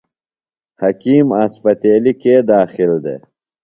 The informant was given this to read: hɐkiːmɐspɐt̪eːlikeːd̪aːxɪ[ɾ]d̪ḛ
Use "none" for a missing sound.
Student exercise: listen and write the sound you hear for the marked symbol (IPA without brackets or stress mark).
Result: l